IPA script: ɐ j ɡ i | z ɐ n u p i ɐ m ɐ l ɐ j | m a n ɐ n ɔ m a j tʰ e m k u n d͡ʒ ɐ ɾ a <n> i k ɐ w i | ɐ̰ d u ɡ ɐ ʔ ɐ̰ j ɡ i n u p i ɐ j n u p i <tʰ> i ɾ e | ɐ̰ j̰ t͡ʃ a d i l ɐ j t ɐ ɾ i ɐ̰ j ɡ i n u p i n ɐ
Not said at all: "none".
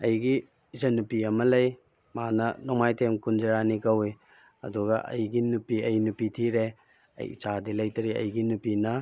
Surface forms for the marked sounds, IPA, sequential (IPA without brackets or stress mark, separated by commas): n, tʰ